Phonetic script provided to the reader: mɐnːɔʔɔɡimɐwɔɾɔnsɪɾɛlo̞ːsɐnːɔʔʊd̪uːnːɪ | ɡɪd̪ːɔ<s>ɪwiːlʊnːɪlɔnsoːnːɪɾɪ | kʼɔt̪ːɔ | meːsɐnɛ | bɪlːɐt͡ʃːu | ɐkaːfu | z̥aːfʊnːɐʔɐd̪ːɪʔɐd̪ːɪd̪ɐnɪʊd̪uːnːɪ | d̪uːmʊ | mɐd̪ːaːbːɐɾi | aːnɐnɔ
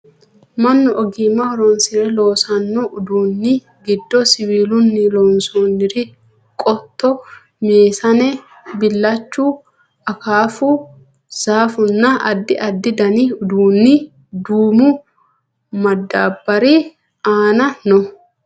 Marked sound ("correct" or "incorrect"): correct